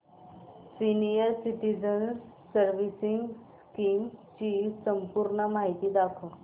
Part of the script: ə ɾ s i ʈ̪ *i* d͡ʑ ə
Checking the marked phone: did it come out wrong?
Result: no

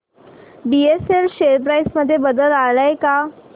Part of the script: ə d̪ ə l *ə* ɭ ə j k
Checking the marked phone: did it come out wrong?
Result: yes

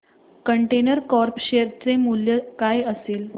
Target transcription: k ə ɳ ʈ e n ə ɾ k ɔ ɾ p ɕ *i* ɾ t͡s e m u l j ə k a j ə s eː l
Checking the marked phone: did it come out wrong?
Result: yes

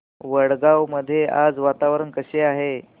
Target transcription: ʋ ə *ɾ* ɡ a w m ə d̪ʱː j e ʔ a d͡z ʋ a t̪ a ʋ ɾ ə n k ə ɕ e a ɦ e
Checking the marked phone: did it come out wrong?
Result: yes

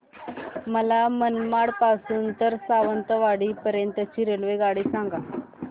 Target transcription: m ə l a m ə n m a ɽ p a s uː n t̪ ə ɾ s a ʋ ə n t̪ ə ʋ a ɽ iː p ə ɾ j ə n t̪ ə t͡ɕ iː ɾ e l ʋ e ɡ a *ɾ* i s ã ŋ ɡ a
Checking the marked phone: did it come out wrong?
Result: yes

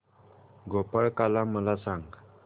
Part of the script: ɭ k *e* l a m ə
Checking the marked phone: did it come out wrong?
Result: yes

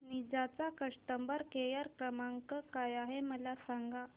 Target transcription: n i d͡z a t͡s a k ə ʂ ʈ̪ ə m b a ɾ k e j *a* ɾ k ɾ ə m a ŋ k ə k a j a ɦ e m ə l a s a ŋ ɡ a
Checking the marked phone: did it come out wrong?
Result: no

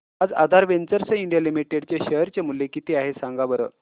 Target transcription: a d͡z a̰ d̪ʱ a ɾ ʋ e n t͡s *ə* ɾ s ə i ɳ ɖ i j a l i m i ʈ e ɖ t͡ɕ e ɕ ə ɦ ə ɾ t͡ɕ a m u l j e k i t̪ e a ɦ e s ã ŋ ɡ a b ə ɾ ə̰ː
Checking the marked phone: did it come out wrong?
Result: no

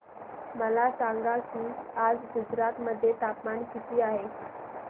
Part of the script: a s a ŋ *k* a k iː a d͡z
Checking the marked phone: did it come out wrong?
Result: yes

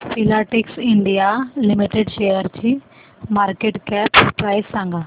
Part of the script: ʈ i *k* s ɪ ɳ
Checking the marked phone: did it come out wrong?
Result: no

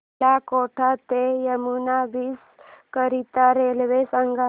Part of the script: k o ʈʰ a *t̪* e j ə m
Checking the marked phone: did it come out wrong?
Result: no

